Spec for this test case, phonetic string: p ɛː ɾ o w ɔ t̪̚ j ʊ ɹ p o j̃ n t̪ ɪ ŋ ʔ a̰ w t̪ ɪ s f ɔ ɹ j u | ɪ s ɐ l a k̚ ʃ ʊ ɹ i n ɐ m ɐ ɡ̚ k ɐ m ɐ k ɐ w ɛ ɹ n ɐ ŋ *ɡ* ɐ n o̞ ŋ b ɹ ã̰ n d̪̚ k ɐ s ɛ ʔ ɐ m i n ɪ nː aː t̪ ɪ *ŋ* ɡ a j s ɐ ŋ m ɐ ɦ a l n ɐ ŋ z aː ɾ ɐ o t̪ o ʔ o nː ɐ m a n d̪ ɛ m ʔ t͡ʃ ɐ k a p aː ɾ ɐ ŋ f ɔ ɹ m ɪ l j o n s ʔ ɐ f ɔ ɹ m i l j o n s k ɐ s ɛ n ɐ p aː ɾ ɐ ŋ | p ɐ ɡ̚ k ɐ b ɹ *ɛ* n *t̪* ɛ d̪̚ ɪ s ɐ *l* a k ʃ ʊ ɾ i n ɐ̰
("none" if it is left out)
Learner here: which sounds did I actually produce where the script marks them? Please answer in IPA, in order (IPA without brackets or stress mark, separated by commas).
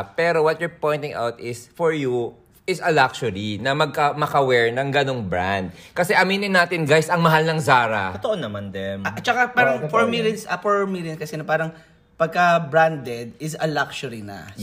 ɡ, n, a, d̪, l